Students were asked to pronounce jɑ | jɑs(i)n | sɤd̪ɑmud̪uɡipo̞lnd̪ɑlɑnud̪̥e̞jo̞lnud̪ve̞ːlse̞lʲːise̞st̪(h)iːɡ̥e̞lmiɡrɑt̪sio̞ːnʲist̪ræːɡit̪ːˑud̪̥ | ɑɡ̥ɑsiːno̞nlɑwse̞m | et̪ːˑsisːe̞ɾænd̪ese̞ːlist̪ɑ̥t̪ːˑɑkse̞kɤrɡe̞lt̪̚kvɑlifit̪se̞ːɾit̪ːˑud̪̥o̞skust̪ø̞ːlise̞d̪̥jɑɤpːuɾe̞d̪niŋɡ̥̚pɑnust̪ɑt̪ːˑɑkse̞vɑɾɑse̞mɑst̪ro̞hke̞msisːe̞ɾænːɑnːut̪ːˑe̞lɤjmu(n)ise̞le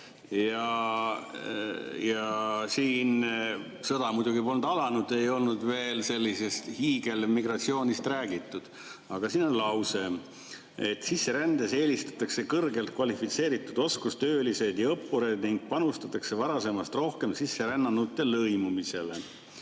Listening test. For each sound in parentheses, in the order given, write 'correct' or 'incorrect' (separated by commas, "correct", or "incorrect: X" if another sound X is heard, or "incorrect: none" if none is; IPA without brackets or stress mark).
incorrect: iː, correct, incorrect: m